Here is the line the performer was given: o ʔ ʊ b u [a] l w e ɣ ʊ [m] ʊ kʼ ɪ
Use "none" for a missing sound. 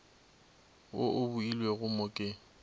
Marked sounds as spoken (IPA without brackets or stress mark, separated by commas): i, m